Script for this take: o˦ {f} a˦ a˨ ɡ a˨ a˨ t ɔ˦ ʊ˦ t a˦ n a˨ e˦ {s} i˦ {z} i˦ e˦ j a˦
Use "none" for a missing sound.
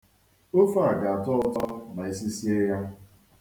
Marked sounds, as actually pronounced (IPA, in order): f, s, s

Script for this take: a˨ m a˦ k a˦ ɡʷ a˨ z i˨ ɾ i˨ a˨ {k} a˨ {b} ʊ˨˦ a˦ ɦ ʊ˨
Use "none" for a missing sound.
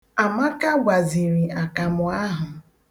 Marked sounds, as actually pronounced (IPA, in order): k, m

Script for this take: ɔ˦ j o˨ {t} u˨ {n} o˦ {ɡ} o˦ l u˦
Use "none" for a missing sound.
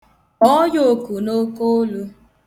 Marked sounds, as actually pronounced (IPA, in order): k, n, k

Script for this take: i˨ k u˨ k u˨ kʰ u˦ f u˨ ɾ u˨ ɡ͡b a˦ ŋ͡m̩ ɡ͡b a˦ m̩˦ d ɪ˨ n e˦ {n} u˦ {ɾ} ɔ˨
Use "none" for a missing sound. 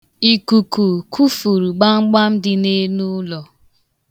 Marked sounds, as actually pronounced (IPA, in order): n, l

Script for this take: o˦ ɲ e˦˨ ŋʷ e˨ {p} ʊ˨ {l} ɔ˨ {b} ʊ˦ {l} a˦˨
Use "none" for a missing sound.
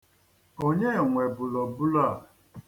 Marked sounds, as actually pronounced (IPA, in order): b, l, b, l

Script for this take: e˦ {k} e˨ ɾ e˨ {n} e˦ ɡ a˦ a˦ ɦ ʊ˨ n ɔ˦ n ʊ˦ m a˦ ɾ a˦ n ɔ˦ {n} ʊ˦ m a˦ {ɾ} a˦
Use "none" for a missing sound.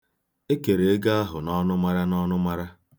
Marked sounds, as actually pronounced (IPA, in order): k, none, n, ɾ

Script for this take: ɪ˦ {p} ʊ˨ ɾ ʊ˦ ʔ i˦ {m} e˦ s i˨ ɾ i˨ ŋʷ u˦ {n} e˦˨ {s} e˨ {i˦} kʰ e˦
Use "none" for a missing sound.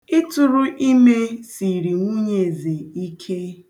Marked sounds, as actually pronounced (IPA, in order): t, m, ɲ, z, i˦

